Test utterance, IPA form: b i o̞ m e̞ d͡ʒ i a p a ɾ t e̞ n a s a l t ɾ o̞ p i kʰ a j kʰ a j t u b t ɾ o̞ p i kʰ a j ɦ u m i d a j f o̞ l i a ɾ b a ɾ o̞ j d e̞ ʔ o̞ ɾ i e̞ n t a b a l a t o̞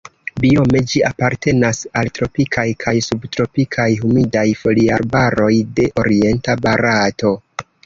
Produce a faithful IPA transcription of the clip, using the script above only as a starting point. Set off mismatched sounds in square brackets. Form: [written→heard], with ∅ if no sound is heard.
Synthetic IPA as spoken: b i o̞ m e̞ d͡ʒ i a p a ɾ t e̞ n a s a l t ɾ o̞ p i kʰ a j kʰ a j [t→s] u b t ɾ o̞ p i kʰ a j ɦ u m i d a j f o̞ l i a ɾ b a ɾ o̞ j d e̞ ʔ o̞ ɾ i e̞ n t a b a [l→ɾ] a t o̞